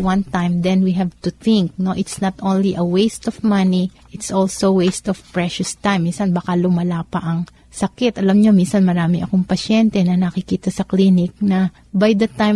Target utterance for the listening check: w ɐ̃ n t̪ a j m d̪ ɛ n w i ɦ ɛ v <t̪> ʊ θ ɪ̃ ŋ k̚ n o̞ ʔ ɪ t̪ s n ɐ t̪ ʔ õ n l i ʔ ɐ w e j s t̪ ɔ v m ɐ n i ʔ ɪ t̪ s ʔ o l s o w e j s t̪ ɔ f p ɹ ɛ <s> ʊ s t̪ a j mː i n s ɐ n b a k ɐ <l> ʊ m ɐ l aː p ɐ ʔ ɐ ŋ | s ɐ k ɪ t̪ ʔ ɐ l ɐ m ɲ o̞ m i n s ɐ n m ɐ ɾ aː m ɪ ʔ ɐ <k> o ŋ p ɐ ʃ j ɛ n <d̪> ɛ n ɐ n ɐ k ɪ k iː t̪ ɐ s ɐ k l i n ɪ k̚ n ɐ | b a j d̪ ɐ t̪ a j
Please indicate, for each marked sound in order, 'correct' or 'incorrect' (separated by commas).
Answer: correct, incorrect, correct, correct, incorrect